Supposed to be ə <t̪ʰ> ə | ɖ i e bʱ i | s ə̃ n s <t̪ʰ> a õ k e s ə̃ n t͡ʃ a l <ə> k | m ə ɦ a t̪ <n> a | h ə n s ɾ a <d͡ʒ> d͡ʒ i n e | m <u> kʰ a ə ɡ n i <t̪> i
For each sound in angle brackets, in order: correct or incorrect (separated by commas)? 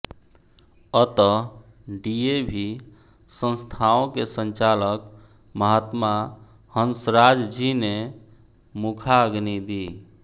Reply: incorrect, correct, correct, incorrect, correct, correct, incorrect